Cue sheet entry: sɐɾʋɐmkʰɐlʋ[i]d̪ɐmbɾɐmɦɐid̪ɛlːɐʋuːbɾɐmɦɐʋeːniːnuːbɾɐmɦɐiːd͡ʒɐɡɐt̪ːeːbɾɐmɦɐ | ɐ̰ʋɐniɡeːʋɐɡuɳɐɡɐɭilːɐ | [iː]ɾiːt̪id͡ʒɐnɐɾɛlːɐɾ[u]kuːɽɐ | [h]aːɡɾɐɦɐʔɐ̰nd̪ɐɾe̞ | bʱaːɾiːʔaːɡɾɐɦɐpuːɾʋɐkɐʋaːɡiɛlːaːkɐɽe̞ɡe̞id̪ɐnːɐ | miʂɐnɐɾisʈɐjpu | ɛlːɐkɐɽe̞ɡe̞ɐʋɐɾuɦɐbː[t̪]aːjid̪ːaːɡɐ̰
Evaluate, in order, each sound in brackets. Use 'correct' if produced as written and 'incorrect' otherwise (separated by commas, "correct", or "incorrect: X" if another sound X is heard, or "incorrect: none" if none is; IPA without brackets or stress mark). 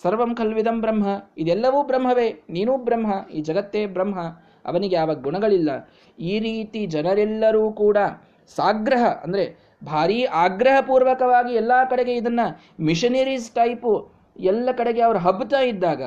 correct, correct, incorrect: uː, incorrect: s, correct